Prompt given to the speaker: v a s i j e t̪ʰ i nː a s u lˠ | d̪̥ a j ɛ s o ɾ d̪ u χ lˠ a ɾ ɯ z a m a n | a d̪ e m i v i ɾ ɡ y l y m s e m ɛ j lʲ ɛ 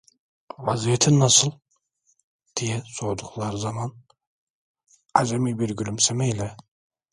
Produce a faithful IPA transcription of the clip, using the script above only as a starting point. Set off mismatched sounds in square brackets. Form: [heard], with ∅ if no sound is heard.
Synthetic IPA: v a [z] i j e t̪ʰ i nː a s [ɯ] lˠ | d̪̥ [i] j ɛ s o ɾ d̪ u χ lˠ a ɾ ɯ z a m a n | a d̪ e m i [b] i ɾ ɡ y l y m s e m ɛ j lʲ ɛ